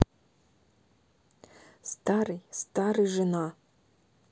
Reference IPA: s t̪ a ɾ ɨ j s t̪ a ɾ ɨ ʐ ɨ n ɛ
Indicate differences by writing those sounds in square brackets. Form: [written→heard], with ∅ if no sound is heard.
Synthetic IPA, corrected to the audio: s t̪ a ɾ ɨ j s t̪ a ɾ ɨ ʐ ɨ n [ɛ→a]